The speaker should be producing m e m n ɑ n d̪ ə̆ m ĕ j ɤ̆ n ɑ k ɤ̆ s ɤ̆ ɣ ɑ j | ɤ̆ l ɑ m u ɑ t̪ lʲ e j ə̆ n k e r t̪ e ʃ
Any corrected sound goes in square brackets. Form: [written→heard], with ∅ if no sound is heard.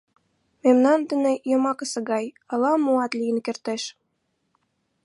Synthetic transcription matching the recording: m e m n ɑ n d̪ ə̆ [m→n] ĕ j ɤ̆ [n→m] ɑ k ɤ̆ s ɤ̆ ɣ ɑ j | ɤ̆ l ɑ m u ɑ t̪ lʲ [e→i] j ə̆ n k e r t̪ e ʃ